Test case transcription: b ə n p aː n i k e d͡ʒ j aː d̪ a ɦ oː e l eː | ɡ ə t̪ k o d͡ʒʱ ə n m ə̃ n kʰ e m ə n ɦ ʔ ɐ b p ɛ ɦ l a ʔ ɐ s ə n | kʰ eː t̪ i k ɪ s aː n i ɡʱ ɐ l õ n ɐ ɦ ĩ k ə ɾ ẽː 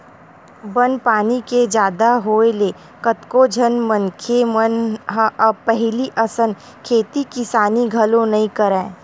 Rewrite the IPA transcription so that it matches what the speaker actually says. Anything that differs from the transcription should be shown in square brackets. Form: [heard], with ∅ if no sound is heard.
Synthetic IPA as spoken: b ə n p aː n i k e d͡ʒ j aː d̪ a ɦ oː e l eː | [k] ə t̪ k o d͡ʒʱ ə n m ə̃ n kʰ e m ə n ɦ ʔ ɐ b p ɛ ɦ l [i] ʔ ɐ s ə n | kʰ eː t̪ i k ɪ s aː n i ɡʱ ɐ l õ n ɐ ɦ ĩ k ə ɾ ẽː